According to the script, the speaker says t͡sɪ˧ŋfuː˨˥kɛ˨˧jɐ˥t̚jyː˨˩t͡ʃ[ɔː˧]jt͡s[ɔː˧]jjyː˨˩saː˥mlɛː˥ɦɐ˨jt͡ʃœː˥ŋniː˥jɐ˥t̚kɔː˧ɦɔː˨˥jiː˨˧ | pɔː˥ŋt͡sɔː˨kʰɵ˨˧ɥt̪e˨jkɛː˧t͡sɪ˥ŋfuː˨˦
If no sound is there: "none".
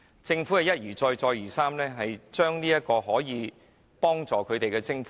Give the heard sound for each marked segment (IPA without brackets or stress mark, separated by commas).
ɔː˧, ɔː˧